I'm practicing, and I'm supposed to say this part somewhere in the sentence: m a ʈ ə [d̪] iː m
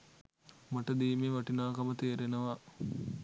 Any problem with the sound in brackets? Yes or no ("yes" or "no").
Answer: no